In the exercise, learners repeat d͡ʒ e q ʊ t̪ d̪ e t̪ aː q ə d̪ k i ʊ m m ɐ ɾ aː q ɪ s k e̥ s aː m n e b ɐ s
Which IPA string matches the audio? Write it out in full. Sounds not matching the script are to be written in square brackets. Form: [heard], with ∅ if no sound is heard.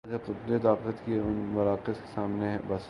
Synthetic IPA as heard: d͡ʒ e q ʊ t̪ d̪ e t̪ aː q ə [t̪] k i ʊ [n] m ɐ ɾ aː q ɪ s k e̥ s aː m n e b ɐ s